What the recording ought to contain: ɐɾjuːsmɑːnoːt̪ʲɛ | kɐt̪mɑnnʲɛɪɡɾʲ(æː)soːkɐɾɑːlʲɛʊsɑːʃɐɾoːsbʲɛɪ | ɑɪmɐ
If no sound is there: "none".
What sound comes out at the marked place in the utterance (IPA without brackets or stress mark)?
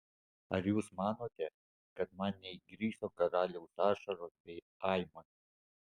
iː